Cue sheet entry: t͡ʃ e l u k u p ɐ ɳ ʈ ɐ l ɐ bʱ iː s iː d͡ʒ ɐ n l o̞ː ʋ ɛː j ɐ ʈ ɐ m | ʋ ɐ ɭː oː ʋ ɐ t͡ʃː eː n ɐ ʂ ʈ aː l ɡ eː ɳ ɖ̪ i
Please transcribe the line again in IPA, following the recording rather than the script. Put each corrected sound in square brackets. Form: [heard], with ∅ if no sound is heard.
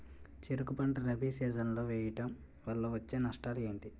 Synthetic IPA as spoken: t͡ʃ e [ɾ] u k u p ɐ ɳ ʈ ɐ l ɐ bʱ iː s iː d͡ʒ ɐ n l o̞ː ʋ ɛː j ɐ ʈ ɐ m | ʋ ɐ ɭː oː ʋ ɐ t͡ʃː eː n ɐ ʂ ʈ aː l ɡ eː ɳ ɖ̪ i